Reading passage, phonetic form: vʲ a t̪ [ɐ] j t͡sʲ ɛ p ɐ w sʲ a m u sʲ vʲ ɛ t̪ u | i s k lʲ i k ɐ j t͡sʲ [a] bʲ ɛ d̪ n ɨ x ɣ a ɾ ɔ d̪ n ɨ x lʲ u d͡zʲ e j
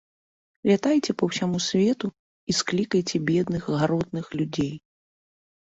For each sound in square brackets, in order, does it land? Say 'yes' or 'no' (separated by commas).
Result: no, no